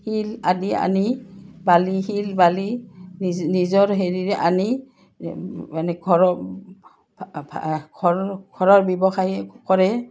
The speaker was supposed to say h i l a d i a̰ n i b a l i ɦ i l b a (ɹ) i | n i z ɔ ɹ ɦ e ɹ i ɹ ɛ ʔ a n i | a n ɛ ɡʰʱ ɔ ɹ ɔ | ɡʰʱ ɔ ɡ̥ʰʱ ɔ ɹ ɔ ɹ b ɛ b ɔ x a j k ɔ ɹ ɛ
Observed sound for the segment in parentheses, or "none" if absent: l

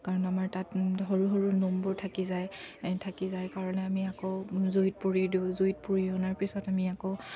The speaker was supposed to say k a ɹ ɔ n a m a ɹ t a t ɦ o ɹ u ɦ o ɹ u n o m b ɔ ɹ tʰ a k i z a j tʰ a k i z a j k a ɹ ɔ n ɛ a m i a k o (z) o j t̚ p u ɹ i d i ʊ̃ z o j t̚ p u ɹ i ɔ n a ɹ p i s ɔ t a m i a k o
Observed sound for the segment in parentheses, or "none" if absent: z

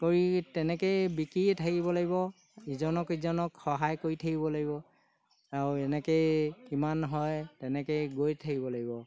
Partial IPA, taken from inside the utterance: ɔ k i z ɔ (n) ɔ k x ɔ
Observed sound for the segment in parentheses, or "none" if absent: n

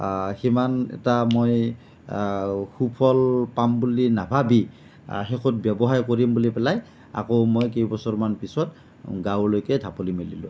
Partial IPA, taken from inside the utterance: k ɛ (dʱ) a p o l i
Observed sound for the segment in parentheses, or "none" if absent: dʱ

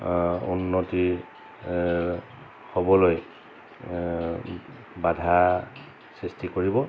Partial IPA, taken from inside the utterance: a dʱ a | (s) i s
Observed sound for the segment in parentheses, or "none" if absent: s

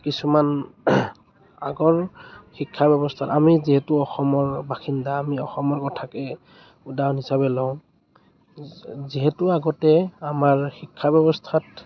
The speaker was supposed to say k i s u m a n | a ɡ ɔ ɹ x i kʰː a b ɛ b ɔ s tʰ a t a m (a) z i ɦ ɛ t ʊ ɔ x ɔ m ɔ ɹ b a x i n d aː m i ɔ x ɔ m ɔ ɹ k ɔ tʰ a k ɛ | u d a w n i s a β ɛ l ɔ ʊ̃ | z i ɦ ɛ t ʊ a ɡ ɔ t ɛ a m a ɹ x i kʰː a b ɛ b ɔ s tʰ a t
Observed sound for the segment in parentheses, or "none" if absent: i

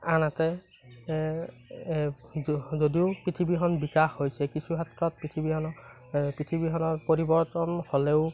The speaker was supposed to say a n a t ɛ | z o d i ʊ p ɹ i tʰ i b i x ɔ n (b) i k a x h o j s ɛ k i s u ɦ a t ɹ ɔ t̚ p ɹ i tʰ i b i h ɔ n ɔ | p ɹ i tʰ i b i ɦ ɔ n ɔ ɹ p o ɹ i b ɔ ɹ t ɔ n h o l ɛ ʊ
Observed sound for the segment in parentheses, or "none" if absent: b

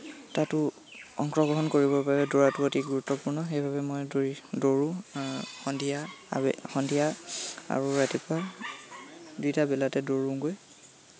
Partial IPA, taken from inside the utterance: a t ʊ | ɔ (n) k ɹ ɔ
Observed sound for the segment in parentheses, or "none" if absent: ŋ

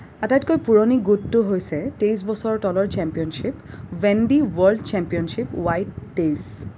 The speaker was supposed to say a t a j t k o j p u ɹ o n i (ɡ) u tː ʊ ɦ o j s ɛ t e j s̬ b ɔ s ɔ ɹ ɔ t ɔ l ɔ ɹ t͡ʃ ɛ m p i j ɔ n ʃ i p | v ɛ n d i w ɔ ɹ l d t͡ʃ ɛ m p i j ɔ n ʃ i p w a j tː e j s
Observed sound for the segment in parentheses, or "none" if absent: ɡ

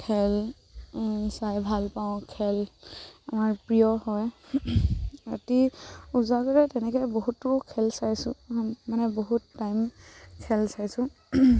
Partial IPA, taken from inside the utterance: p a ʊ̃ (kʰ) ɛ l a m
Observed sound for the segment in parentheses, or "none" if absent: kʰ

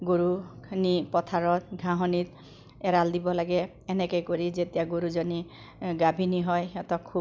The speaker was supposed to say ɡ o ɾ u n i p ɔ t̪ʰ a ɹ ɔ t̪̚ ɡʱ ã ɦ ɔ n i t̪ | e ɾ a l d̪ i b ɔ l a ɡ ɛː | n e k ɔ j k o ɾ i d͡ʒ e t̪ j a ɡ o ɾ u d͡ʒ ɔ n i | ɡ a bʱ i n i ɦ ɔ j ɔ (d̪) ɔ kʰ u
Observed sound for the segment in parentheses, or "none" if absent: t̪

